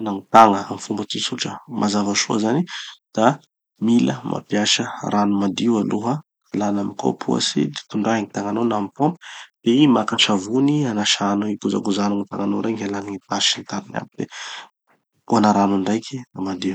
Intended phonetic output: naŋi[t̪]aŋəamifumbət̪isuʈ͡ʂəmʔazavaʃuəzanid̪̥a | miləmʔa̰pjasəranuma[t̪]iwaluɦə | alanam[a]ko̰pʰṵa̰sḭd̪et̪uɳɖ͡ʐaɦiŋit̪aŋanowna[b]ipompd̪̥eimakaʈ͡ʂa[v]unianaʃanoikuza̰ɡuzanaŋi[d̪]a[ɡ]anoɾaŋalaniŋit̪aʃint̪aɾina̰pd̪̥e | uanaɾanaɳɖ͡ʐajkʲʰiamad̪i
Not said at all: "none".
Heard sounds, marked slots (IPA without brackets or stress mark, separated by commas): t̪, d̪, i, m, v, t̪, ŋ